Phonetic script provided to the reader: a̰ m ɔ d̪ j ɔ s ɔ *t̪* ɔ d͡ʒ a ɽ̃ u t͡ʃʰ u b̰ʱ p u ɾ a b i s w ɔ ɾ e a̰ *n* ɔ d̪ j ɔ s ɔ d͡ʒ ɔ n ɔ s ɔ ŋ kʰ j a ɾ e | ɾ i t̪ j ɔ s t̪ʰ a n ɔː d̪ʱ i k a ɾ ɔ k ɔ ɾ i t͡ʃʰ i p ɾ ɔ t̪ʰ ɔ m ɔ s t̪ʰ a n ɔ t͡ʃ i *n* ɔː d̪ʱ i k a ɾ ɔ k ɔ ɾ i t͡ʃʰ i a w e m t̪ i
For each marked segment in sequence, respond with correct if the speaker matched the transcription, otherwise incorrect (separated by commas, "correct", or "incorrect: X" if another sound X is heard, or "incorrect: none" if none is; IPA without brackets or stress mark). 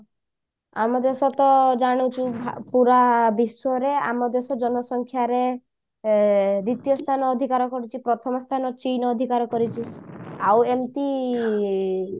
correct, incorrect: m, correct